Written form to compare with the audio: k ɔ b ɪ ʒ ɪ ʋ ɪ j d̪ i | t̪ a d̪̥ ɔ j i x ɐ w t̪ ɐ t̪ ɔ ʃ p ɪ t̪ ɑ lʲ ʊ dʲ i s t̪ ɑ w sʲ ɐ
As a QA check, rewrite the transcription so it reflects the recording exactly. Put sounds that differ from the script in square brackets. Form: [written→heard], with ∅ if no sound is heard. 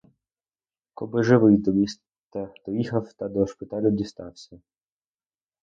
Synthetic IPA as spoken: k ɔ b ɪ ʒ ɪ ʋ ɪ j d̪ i | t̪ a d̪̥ ɔ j i x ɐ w t̪ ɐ [t̪→d̪] ɔ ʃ p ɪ t̪ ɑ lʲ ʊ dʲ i s t̪ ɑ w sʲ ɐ